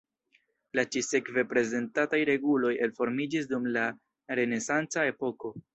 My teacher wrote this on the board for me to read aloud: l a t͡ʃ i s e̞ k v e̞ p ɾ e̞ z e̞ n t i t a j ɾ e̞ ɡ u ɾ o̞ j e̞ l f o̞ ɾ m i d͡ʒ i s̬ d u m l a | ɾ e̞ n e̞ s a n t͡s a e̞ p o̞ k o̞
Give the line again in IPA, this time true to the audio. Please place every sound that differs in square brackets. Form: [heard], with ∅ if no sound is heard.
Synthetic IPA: l a t͡ʃ i s e̞ k v e̞ p ɾ e̞ z e̞ n t [a] t a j ɾ e̞ ɡ u [l] o̞ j e̞ l f o̞ ɾ m i d͡ʒ i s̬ d u m l a | ɾ e̞ n e̞ s a n t͡s a e̞ p o̞ k o̞